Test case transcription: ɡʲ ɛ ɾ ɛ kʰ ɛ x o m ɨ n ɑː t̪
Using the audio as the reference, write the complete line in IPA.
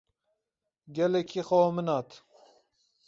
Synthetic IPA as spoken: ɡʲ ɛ l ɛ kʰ i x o m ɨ n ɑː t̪